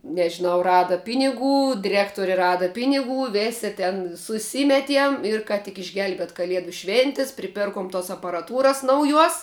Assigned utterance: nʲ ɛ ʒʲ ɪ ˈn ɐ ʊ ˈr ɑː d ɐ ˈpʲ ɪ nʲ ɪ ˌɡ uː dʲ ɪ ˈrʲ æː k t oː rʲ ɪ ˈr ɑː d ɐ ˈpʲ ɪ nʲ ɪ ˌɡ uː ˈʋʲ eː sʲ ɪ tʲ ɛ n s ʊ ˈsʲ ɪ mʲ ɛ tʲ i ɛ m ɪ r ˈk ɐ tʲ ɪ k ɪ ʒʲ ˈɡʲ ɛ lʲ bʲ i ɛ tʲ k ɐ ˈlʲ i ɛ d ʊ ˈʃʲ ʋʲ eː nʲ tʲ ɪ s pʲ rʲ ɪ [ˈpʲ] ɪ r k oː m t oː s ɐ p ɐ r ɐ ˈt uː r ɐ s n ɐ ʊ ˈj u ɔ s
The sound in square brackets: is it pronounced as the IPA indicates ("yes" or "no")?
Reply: yes